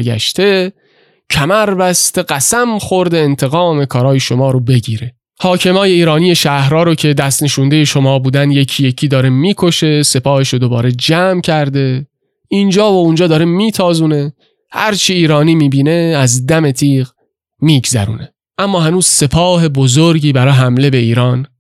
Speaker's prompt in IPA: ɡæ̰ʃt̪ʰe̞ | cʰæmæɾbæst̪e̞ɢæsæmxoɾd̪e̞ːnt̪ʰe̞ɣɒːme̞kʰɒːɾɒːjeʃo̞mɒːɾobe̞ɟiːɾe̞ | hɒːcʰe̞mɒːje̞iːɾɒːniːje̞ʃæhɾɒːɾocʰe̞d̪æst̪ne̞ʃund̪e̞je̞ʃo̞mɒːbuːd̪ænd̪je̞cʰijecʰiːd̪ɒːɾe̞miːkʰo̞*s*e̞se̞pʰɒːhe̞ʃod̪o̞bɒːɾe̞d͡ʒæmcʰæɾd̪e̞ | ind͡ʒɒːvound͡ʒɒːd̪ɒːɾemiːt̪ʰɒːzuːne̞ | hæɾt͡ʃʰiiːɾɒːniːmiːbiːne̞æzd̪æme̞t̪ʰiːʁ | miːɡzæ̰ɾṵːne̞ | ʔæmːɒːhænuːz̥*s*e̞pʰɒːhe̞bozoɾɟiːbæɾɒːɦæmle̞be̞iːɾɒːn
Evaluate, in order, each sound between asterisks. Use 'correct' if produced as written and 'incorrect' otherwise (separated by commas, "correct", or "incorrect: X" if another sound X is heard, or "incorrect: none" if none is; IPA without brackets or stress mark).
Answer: incorrect: ʃ, correct